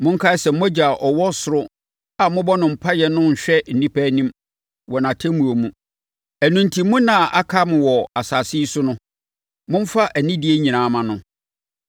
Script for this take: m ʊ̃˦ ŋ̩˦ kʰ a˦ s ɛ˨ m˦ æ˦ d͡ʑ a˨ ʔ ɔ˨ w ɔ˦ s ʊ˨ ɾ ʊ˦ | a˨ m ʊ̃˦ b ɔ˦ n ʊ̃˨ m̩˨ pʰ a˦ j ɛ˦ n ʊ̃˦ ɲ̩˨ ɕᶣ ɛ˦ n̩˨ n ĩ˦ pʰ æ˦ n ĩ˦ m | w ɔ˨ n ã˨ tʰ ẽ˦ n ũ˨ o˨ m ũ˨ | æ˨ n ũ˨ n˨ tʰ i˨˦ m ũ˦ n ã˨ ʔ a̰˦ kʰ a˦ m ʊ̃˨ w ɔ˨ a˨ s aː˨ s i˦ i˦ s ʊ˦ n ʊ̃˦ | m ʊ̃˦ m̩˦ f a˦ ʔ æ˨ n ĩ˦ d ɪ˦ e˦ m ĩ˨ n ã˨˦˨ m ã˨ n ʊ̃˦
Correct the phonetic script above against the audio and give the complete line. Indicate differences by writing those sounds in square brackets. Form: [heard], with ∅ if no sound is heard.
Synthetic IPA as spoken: m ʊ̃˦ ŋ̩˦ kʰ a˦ s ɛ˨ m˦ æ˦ d͡ʑ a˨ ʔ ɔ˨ w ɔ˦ s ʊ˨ ɾ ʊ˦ | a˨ m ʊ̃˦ b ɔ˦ n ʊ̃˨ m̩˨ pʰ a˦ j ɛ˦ n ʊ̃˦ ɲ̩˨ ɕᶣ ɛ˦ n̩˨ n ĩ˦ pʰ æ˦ n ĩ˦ m | w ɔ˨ n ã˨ tʰ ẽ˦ [m] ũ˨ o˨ m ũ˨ | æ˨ n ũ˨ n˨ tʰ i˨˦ m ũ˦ n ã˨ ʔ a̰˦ kʰ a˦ m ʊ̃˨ w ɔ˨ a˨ s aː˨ s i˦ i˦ s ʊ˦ n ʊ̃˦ | m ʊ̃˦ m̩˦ f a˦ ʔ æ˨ n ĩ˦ d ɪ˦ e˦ [ɲ] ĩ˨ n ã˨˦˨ m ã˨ n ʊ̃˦